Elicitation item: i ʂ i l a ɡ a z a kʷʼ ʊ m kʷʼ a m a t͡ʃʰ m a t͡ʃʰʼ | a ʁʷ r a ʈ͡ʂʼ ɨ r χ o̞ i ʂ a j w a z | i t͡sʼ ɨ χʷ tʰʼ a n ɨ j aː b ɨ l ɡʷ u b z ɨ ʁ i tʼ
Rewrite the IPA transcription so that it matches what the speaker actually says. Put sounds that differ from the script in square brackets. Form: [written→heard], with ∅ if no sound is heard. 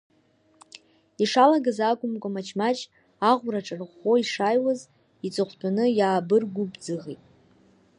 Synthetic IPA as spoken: i ʂ [i→a] l a ɡ a z a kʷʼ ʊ m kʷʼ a m a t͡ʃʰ m a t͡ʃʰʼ | a ʁʷ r a ʈ͡ʂʼ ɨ r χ o̞ i ʂ a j w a z | i t͡sʼ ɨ χʷ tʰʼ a n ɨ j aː b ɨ [l→r] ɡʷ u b [z→d͡z] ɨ ʁ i tʼ

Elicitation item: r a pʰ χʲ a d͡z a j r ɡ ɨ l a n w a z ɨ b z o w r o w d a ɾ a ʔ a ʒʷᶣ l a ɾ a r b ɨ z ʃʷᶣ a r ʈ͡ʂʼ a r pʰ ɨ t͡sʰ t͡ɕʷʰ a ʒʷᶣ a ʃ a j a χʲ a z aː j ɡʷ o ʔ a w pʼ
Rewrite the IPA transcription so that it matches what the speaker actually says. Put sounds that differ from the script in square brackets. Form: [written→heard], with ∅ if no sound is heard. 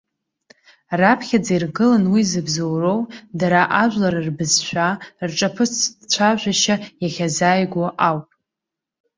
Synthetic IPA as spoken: r a pʰ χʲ a d͡z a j r ɡ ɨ l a n w [a→i] z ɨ b z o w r o w d a ɾ a ʔ a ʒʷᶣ l a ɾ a r b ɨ z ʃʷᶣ a r ʈ͡ʂʼ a [r→∅] pʰ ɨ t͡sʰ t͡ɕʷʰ a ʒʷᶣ a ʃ a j a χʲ a z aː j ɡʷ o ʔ a w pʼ

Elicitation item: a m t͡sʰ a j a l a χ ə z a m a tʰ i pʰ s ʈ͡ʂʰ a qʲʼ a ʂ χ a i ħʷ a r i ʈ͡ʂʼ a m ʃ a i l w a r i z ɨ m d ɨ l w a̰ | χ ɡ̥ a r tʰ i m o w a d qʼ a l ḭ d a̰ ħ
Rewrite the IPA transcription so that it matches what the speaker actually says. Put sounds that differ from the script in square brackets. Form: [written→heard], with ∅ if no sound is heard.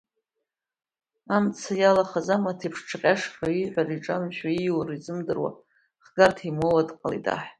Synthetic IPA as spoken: a m t͡sʰ a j a l a χ [ə→a] z a m a tʰ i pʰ [s→ʂ] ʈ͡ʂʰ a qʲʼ a ʂ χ a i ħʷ a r i ʈ͡ʂʼ a m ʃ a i [l→∅] w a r i z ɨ m d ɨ [l→r] w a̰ | χ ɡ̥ a r tʰ i m o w a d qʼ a l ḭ d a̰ ħ

